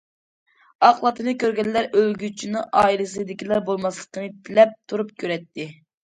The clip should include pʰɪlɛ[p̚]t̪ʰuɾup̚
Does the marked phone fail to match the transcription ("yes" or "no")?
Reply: no